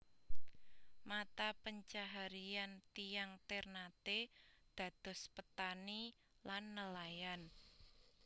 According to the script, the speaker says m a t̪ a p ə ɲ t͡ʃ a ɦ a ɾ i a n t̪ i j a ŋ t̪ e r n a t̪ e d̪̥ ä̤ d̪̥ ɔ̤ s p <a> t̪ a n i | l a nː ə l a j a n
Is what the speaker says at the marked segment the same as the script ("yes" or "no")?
no